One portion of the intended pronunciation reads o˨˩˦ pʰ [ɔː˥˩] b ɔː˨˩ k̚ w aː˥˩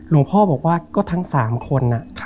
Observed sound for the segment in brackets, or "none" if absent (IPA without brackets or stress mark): ɔː˥˩